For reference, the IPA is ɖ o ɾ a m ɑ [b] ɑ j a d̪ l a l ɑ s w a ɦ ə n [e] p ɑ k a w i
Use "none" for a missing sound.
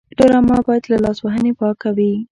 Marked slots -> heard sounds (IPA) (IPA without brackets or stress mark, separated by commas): b, e